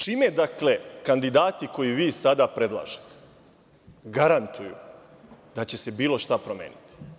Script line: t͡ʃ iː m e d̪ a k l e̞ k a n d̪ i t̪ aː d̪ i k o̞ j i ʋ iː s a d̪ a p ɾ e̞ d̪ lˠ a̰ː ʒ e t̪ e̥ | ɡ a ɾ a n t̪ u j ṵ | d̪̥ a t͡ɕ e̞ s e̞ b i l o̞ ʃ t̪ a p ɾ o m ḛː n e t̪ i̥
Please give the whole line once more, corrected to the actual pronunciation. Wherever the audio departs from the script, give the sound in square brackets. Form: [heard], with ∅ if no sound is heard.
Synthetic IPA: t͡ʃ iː m e d̪ a k l e̞ k a n d̪ i [d̪] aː [t̪] i k o̞ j i ʋ iː s a d̪ a p ɾ e̞ d̪ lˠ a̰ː ʒ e t̪ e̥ | ɡ a ɾ a n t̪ u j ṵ | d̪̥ a t͡ɕ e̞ s e̞ b [iː] l o̞ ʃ t̪ a p ɾ o m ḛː n [i] t̪ i̥

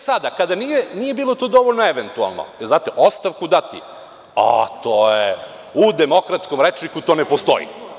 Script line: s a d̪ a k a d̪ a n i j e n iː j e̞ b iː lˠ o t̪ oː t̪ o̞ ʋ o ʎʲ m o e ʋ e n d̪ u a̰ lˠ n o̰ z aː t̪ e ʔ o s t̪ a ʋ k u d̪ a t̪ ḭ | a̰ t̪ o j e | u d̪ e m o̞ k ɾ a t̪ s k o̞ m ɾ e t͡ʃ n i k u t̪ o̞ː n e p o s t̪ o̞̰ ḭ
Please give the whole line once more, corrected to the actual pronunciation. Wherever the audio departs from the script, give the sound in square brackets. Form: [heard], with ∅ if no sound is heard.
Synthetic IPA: s a d̪ a k a d̪ a n i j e n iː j e̞ b iː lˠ o t̪ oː [d̪] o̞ ʋ o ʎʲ [n] o e ʋ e n [t̪] u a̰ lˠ n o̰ z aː t̪ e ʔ o s t̪ a ʋ k u d̪ a t̪ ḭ | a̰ t̪ o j e | u d̪ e m o̞ k ɾ a t̪ s k o̞ m ɾ e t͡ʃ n i k u t̪ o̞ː n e p o s t̪ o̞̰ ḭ

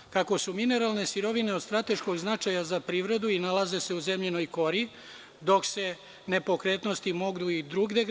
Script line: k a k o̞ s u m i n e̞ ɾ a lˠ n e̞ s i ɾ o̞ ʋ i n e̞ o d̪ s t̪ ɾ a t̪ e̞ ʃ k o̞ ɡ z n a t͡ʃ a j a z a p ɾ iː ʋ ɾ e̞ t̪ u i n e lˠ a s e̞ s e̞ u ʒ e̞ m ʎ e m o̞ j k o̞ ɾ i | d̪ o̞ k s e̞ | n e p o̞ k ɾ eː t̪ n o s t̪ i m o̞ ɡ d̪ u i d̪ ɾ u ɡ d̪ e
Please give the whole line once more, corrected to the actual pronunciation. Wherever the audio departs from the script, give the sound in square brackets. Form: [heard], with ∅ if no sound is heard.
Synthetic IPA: k a k o̞ s u m i n e̞ ɾ a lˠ n e̞ s i ɾ o̞ ʋ i n e̞ o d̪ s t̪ ɾ a t̪ e̞ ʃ k o̞ ɡ z n a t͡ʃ a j a z a p ɾ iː ʋ ɾ e̞ [d̪] u i n [a] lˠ a [z] e̞ s e̞ u [z] e̞ m ʎ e [n] o̞ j k o̞ ɾ i | d̪ o̞ k s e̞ | n e p o̞ k ɾ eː t̪ n o s t̪ i m o̞ ɡ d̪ u i d̪ ɾ u ɡ d̪ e

